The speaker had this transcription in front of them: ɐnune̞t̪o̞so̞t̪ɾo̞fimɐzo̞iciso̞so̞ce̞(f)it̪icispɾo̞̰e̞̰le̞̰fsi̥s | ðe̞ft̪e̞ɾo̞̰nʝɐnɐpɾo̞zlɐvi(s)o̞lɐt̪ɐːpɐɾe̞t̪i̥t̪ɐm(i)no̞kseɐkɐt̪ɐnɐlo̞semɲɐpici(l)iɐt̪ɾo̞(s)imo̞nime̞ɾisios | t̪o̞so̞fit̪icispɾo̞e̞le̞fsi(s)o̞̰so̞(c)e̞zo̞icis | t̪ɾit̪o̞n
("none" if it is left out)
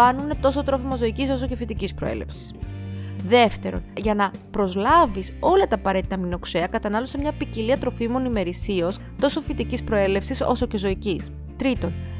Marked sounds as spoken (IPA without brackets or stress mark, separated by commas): f, s, i, l, f, s, c